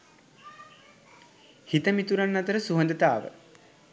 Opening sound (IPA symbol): h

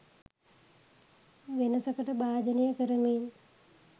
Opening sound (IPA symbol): ʋ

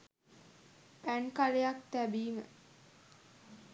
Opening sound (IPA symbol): p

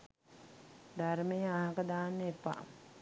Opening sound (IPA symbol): d̪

